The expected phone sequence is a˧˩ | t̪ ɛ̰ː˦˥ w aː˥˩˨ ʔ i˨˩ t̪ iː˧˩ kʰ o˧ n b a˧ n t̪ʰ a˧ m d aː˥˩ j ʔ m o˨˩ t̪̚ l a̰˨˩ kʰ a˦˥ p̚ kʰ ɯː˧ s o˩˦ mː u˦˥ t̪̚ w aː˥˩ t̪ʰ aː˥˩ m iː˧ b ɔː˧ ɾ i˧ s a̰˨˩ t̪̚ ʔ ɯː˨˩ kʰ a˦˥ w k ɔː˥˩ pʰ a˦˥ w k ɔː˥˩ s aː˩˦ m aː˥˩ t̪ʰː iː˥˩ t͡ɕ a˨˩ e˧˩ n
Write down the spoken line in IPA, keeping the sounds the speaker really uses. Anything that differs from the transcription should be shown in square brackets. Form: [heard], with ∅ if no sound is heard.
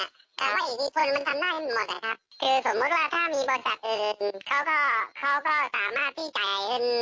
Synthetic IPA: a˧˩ | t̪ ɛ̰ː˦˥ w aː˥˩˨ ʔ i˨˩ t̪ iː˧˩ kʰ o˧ n [m] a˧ n t̪ʰ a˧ m d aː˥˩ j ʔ m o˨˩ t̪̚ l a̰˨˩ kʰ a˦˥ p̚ kʰ ɯː˧ s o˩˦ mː u˦˥ t̪̚ w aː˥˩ t̪ʰ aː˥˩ m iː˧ b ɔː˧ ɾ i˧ s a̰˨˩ t̪̚ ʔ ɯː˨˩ kʰ a˦˥ w k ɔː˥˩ [kʰ] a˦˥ w k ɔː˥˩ s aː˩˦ m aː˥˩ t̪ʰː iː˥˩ t͡ɕ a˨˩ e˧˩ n